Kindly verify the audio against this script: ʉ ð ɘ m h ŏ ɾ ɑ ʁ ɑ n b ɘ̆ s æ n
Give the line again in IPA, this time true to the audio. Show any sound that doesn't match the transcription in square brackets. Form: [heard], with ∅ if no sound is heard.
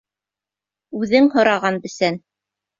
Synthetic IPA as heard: ʉ ð ɘ [ŋ] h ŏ ɾ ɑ ʁ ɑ n b ɘ̆ s æ n